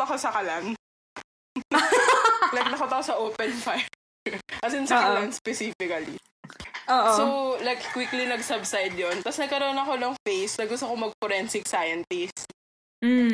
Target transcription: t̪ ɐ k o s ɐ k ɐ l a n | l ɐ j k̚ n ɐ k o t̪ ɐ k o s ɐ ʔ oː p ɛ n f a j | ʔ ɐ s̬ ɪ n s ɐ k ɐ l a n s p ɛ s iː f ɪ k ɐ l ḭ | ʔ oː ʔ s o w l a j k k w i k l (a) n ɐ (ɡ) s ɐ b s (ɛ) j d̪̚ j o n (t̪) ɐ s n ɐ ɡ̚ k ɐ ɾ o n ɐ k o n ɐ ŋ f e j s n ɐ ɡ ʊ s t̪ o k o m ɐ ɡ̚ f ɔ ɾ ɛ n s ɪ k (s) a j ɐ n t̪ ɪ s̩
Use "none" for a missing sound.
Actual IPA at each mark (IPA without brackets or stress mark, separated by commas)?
i, ɡ, a, t̪, s